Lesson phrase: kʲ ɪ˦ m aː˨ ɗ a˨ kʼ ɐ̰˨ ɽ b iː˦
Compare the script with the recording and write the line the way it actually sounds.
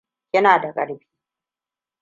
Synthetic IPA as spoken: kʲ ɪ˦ n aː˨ d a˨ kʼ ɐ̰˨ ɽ b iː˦